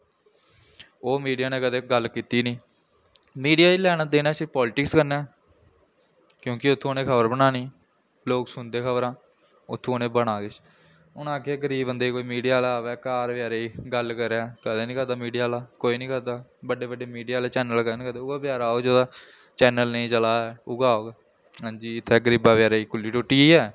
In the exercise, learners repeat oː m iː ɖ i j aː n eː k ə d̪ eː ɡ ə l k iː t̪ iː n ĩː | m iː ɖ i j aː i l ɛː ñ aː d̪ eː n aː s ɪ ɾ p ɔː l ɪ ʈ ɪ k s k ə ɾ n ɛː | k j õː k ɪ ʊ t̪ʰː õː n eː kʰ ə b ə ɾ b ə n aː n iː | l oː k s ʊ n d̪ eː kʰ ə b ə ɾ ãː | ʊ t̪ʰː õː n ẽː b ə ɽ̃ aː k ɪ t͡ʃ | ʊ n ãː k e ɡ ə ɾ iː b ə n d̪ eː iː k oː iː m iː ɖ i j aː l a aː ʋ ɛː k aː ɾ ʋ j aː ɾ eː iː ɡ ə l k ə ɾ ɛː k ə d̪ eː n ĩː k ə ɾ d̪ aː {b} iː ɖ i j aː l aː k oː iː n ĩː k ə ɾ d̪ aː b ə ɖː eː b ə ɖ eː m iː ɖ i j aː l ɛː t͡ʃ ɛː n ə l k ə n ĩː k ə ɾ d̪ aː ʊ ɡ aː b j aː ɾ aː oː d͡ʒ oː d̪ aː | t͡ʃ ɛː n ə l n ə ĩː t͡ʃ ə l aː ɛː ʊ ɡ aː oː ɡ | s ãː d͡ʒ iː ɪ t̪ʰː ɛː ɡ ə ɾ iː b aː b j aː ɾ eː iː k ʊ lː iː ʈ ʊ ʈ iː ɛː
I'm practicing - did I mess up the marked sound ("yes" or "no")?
yes